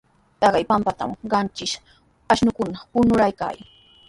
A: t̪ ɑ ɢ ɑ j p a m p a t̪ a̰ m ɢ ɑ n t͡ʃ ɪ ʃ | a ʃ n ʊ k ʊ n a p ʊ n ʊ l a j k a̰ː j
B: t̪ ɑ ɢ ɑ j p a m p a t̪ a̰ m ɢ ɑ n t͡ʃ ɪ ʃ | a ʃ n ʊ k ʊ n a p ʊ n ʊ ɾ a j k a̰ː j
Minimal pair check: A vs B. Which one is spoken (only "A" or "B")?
B